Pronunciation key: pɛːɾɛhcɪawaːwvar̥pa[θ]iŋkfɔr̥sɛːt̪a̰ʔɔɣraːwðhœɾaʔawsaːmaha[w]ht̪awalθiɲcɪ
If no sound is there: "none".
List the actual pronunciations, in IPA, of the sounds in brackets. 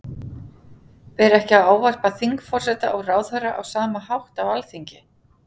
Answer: θ, w

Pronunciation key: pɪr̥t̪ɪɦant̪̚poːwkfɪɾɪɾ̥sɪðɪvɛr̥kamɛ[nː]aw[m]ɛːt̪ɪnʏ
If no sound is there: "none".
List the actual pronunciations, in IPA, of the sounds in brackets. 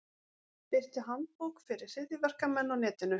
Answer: nː, n

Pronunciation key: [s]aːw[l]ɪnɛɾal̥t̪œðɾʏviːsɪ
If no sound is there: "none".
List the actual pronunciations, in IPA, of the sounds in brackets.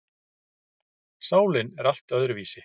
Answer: s, l

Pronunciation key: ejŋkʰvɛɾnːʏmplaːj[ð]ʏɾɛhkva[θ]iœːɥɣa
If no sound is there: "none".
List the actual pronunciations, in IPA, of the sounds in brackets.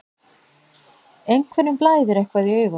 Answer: ð, ð

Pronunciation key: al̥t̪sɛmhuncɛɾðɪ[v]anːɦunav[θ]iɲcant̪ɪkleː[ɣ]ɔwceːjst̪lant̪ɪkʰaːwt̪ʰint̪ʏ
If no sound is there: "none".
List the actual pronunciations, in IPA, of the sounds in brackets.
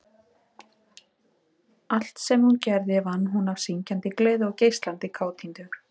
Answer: v, s, ð

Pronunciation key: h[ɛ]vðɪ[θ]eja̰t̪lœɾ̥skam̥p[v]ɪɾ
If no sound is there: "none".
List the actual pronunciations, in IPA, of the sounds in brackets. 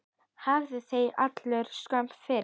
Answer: a, θ, f

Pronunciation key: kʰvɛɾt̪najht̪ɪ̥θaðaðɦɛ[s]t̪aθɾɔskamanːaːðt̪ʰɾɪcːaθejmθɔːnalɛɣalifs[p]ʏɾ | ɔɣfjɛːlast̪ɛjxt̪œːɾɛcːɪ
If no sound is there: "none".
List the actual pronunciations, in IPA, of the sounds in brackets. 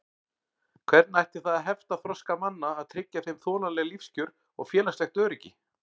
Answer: f, c

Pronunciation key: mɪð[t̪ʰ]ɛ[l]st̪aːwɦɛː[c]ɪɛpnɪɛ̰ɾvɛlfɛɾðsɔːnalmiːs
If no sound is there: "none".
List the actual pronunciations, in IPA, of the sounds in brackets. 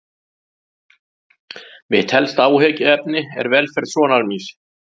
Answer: t̪ʰ, l, c

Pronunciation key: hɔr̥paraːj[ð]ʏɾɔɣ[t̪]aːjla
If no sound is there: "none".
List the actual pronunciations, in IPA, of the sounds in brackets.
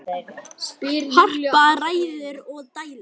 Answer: ð, t̪

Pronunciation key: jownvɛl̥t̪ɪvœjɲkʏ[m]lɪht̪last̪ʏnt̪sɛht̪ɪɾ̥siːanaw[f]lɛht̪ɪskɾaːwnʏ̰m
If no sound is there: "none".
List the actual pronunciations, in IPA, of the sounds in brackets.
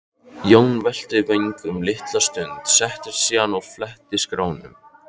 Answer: m, f

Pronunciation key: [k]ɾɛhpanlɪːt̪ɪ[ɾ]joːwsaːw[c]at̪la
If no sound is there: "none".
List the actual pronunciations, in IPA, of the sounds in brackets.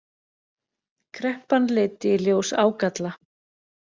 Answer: kʰ, l, k

